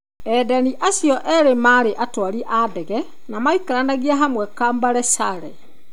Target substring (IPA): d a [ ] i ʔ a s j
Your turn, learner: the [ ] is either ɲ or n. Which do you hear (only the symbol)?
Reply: n